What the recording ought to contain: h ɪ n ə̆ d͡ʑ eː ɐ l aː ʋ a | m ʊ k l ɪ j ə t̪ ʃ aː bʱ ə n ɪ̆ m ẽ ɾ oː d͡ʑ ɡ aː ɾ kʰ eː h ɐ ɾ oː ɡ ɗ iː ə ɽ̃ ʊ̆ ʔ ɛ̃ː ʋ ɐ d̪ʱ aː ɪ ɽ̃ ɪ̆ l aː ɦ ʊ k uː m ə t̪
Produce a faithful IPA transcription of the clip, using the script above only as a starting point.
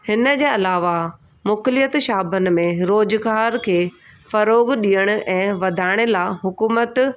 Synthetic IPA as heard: h ɪ n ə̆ d͡ʑ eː ɐ l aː ʋ a | m ʊ k l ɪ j ə t̪ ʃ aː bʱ ə n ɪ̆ m ẽ ɾ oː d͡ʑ ɡ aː ɾ kʰ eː f ɐ ɾ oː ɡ ɗ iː ə ɽ̃ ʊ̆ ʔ ɛ̃ː ʋ ɐ d̪ʱ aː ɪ ɽ̃ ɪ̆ l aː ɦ ʊ k uː m ə t̪